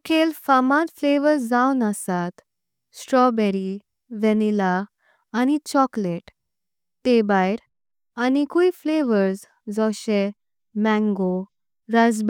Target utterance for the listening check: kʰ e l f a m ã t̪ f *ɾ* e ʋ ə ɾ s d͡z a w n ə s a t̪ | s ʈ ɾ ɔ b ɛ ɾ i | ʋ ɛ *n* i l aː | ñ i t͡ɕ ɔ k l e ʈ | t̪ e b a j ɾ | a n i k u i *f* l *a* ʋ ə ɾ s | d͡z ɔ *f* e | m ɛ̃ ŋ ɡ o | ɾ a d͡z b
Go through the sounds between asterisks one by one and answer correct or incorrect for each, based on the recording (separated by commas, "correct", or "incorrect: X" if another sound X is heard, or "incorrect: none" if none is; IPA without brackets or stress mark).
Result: incorrect: l, correct, correct, incorrect: e, incorrect: ɕ